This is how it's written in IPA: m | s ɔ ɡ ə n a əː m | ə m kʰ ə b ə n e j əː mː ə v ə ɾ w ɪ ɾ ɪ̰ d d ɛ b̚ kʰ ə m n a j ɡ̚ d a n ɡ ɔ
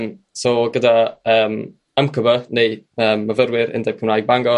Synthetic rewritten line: m | s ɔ ɡ ə d a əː m | ə m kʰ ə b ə n e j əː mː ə v ə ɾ w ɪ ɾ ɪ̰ n d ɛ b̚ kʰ ə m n a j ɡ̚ b a ŋ ɡ ɔ